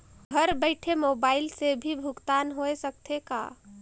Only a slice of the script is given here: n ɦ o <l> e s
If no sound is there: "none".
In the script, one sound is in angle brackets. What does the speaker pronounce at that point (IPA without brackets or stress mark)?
none